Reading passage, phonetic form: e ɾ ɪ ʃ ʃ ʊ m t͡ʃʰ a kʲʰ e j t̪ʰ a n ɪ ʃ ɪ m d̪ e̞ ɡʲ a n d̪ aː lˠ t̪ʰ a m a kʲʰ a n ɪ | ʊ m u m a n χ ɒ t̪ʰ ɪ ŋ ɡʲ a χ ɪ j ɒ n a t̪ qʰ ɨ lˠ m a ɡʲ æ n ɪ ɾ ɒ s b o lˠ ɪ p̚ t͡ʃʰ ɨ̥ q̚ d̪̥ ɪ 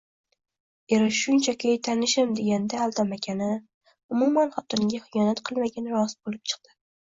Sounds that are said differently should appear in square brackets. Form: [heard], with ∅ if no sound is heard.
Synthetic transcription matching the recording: e ɾ ɪ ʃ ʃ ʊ [n] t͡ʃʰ a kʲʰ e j t̪ʰ a n ɪ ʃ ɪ m d̪ e̞ ɡʲ a n d̪ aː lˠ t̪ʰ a m a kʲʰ a n ɪ | ʊ m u m a n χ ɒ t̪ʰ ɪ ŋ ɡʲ a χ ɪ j ɒ n a t̪ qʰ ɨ lˠ m a ɡʲ [a] n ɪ ɾ ɒ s b o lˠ ɪ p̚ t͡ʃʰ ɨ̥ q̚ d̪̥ ɪ